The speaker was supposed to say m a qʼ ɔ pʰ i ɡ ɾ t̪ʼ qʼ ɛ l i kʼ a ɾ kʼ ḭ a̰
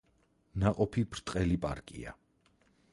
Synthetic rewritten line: n a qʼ ɔ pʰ i b ɾ t̪ʼ qʼ ɛ l i pʼ a ɾ kʼ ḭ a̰